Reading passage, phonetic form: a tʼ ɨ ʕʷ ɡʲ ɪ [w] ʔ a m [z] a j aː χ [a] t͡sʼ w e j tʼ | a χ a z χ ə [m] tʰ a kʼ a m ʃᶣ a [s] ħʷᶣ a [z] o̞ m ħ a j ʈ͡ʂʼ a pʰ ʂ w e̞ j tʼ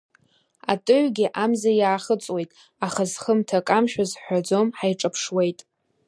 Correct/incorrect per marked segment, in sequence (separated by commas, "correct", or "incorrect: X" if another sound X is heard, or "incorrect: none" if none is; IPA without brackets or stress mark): incorrect: none, correct, incorrect: ə, correct, incorrect: z, incorrect: d͡z